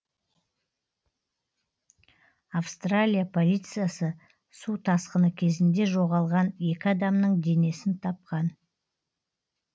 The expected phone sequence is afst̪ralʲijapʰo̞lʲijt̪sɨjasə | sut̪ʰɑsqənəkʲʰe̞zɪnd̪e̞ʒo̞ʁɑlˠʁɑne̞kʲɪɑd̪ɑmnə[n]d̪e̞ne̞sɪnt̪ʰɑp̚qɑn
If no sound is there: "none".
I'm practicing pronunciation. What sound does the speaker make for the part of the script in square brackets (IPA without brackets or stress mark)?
ɴ